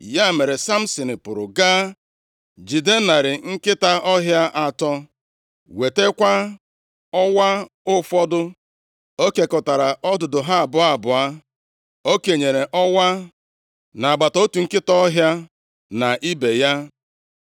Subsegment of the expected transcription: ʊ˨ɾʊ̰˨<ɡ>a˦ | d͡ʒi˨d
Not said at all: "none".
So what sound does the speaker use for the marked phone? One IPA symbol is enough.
ɡ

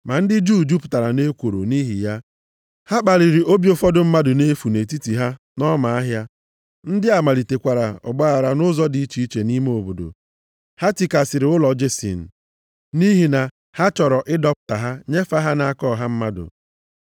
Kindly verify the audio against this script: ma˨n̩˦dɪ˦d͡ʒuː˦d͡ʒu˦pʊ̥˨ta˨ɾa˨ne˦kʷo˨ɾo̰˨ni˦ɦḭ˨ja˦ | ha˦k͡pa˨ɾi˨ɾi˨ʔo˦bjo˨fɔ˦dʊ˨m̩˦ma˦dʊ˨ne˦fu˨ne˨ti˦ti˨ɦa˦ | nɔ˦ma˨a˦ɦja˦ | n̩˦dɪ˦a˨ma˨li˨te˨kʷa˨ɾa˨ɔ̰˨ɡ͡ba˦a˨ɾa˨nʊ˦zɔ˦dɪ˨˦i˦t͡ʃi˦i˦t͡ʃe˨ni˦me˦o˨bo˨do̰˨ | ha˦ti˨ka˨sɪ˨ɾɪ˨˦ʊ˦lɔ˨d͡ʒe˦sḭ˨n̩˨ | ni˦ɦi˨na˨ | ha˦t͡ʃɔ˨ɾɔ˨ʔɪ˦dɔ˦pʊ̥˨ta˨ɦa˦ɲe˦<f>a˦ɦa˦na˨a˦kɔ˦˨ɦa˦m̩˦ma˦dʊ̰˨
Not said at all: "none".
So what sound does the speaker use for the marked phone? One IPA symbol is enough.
f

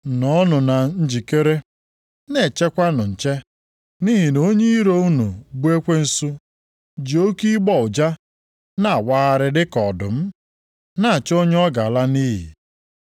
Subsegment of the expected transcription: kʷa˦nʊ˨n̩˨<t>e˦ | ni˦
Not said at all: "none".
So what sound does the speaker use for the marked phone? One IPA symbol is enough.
t͡ʃ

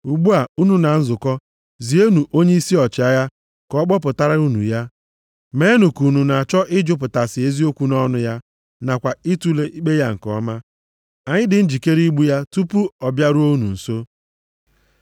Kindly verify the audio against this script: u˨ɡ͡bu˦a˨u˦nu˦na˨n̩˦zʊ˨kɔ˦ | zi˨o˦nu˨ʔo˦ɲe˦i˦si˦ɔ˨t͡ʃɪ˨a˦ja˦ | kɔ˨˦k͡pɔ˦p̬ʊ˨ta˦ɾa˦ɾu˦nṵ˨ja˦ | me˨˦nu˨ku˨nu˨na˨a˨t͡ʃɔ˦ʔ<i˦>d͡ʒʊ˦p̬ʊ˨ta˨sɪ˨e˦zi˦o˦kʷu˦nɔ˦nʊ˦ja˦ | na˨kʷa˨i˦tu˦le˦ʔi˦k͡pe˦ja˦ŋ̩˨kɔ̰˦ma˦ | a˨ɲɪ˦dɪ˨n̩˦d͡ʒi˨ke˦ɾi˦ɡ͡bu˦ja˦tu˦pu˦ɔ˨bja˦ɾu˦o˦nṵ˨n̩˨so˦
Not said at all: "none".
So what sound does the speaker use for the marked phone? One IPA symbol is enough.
ɪ˦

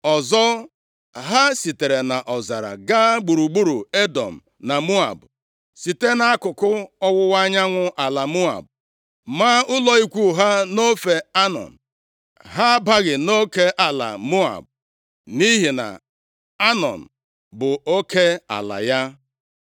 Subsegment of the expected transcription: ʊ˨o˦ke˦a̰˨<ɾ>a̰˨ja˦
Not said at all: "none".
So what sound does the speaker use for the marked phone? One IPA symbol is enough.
l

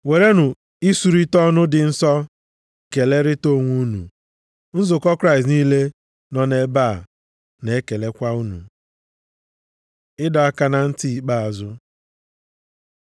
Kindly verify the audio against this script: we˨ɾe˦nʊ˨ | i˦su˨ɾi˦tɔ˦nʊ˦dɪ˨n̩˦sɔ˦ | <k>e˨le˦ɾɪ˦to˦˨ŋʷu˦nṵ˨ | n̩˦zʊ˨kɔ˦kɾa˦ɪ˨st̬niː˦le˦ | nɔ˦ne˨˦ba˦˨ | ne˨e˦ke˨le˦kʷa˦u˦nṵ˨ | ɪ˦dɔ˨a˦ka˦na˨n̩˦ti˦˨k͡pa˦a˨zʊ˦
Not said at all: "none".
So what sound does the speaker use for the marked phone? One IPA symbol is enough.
k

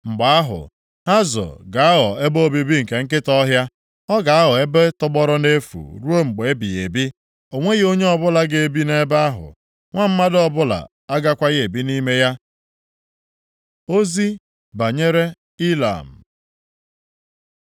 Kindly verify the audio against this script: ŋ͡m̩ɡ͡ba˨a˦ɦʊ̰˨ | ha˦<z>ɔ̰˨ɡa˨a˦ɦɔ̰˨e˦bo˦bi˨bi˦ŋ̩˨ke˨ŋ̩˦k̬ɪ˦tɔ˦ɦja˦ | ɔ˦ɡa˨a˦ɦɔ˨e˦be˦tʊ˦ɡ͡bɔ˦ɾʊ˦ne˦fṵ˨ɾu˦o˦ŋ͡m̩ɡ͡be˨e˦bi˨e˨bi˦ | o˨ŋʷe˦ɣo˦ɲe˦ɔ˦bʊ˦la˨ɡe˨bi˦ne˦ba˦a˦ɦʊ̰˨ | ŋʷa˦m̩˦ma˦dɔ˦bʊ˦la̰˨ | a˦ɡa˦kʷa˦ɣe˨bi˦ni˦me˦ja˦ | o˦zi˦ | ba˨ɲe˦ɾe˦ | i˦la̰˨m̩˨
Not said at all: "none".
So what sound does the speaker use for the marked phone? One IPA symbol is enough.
z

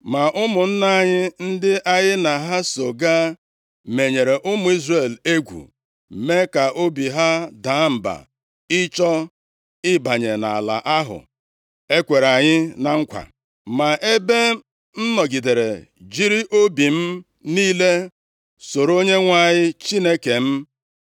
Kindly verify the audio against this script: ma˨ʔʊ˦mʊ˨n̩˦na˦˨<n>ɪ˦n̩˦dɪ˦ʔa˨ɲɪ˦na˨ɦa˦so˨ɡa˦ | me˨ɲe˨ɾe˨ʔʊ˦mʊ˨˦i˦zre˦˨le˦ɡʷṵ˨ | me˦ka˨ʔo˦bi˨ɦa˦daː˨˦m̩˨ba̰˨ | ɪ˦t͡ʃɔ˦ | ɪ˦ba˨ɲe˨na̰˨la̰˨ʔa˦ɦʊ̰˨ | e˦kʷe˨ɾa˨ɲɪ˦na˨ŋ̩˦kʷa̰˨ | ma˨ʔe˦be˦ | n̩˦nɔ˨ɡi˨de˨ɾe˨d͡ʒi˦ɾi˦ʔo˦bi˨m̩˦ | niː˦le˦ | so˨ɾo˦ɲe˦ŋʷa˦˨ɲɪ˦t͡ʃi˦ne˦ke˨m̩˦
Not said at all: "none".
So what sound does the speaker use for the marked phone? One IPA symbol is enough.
ɲ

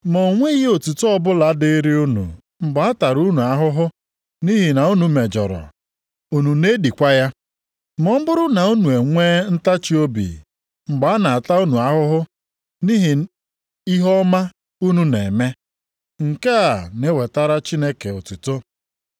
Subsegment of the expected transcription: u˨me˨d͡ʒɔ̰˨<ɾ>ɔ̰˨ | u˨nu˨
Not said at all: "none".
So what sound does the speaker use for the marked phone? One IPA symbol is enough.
ɾ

